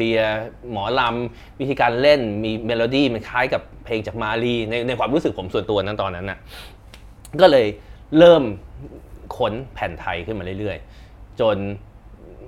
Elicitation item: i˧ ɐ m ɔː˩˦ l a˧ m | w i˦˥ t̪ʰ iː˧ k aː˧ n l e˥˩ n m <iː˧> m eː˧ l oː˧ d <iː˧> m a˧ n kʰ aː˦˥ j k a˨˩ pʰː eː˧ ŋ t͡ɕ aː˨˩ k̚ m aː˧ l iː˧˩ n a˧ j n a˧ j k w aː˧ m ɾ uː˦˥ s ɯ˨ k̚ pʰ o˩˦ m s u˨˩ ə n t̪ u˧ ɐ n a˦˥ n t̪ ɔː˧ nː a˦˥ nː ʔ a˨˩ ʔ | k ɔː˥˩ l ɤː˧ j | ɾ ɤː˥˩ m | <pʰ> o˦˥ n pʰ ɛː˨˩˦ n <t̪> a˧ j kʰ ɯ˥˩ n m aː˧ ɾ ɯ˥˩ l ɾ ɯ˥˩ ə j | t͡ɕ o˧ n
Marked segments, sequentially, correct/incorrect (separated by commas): correct, incorrect, incorrect, incorrect